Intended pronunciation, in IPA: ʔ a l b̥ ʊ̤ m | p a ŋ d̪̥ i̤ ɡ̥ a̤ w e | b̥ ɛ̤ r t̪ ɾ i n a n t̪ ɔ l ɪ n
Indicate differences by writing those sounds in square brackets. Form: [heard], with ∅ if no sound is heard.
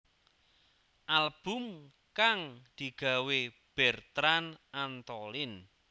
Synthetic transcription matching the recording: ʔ a l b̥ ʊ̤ m | [k] a ŋ d̪̥ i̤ ɡ̥ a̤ w e | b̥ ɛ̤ r t̪ ɾ [a] n a n t̪ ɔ l ɪ n